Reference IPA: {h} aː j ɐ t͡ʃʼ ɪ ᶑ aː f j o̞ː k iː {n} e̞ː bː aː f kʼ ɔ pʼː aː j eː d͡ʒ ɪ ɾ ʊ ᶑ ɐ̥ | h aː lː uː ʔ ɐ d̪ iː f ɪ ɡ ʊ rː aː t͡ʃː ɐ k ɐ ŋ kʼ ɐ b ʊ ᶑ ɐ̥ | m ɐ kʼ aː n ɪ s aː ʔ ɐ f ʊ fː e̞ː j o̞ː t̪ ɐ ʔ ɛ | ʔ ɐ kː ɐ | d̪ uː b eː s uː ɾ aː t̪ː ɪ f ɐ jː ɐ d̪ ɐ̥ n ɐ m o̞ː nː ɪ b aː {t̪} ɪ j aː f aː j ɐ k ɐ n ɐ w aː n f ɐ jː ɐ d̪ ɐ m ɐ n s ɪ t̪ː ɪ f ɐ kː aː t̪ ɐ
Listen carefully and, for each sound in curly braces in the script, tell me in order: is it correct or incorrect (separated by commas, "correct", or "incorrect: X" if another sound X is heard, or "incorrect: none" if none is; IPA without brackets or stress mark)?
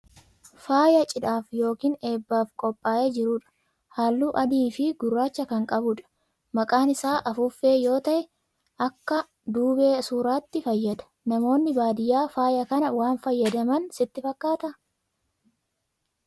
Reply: incorrect: f, correct, incorrect: d̪